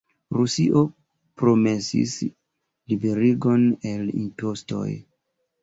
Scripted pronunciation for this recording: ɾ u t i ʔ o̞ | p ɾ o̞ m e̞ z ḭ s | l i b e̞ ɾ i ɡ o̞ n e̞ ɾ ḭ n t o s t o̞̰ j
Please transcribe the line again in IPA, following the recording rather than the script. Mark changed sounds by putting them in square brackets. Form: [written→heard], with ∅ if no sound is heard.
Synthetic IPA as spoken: ɾ u [t→s] i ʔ o̞ | p ɾ o̞ m e̞ [z→s] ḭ s | l i b e̞ ɾ i ɡ o̞ n e̞ [ɾ→l] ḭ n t o s t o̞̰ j